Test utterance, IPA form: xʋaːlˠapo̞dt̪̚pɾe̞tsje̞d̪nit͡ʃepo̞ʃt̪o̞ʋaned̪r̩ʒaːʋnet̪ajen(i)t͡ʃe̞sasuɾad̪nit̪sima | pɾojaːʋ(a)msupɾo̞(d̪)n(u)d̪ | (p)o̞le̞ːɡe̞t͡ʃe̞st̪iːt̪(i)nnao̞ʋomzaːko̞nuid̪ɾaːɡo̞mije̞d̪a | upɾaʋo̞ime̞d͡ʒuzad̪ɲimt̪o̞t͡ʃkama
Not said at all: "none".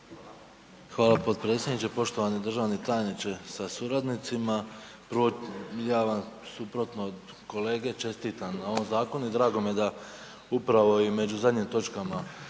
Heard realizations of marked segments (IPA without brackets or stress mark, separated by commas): i, a, t̪, o, k, a